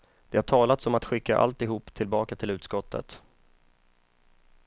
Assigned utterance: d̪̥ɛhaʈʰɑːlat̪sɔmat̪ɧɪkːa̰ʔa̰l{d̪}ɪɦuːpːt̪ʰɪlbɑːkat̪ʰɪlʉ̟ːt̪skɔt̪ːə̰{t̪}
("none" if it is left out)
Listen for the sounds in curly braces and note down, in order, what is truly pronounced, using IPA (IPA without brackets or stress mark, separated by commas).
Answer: t̪, t̪